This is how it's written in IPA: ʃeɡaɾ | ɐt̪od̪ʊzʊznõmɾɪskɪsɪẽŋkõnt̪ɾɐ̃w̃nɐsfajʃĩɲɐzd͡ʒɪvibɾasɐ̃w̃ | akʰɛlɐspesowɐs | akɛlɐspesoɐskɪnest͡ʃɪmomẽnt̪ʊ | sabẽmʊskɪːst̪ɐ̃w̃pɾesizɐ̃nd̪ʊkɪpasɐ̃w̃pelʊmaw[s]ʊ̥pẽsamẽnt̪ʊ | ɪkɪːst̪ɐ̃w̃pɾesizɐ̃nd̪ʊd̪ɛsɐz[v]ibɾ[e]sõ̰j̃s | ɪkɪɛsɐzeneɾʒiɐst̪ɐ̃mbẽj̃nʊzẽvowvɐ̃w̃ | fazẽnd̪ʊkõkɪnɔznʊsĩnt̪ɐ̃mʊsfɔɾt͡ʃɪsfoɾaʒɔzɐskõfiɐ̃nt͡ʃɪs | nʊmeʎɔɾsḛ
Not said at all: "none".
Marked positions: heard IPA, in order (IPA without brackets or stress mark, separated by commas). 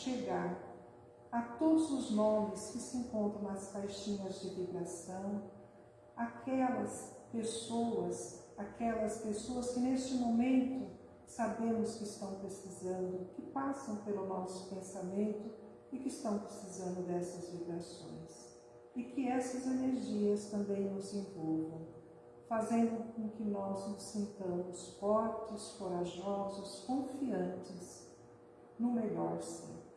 s, v, a